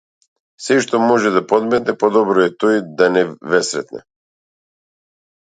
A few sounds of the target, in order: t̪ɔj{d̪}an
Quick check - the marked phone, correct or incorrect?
correct